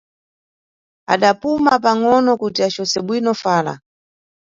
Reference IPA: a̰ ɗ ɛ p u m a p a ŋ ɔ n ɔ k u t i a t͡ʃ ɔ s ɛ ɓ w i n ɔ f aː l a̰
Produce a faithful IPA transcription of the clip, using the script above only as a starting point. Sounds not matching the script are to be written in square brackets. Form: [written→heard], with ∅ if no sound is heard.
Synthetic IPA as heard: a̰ ɗ [ɛ→a] p u m a p a ŋ ɔ n ɔ k u t i a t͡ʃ ɔ s ɛ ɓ w i n ɔ f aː l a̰